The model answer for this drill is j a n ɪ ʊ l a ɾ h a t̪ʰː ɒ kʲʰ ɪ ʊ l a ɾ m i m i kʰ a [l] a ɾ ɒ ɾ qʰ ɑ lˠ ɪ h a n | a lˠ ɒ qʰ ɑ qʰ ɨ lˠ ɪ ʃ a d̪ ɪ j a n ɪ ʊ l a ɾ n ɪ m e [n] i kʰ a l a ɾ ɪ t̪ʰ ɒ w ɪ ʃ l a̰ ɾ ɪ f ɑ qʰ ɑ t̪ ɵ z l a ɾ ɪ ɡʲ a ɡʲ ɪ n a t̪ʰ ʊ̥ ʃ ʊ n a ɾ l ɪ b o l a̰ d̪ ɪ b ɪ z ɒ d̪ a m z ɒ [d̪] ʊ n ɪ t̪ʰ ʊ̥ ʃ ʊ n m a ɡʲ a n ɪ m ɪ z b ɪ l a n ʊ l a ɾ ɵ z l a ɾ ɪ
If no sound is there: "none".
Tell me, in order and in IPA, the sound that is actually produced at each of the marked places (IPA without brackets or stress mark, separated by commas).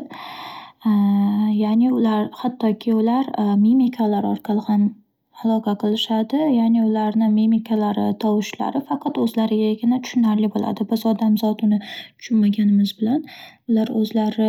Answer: l, m, t̪